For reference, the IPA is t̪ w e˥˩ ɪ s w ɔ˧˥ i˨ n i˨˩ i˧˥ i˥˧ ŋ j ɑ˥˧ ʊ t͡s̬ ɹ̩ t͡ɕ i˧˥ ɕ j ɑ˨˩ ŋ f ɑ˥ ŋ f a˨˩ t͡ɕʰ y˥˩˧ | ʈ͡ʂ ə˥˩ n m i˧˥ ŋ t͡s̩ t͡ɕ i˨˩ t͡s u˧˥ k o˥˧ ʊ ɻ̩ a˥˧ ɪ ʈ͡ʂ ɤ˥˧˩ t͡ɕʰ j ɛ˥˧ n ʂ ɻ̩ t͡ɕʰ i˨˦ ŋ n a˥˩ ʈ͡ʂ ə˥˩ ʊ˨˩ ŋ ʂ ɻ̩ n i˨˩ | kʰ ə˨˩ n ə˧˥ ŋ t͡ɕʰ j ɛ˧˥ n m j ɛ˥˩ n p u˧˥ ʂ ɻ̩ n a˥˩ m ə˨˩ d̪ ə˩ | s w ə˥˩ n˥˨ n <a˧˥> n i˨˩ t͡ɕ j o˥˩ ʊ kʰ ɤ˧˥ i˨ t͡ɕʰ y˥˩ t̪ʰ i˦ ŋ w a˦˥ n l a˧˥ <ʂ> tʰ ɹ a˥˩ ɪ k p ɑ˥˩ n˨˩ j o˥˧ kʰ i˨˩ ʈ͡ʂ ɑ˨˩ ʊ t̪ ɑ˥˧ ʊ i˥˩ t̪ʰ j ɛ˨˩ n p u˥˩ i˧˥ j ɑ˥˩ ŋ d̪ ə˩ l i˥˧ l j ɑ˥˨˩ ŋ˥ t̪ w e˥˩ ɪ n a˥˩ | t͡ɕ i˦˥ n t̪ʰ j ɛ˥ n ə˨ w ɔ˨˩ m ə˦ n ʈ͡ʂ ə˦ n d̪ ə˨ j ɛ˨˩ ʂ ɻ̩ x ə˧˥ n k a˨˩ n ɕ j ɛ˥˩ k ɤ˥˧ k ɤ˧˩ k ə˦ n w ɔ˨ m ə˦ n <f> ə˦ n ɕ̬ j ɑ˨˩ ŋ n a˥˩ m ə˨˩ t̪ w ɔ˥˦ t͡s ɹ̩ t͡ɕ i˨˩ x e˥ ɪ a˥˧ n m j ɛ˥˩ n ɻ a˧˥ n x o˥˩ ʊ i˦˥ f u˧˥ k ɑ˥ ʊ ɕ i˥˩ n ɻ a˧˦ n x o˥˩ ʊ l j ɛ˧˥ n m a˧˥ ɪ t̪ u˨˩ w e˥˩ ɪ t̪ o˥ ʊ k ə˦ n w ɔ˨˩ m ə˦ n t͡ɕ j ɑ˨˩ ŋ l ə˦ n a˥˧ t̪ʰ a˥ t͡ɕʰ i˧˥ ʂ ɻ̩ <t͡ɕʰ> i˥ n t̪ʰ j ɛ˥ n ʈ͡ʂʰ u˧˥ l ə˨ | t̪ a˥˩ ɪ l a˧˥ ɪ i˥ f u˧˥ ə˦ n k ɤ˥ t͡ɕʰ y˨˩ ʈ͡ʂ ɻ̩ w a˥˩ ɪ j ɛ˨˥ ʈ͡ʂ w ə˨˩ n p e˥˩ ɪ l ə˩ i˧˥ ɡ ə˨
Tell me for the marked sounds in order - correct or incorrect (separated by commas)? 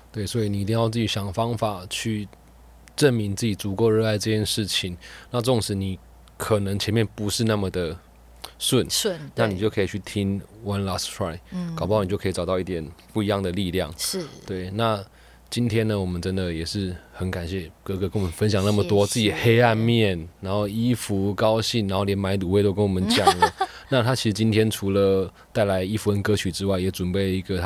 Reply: incorrect, incorrect, correct, incorrect